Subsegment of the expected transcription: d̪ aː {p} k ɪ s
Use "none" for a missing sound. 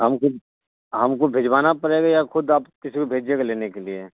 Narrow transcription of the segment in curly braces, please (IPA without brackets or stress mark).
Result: p